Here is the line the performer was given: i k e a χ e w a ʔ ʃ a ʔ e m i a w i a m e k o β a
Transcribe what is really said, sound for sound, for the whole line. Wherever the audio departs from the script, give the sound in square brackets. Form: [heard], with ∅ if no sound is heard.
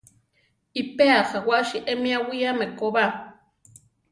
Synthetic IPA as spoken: i [p] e a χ [a] w a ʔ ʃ [i] ʔ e m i a w i a m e k o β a